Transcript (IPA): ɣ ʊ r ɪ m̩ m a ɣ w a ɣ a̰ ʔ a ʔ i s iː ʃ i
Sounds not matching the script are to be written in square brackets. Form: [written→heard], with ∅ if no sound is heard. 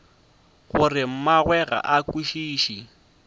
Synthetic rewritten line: ɣ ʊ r ɪ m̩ m a ɣ w [a→ɛ] ɣ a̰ ʔ a [ʔ→k] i [s→ʃ] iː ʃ i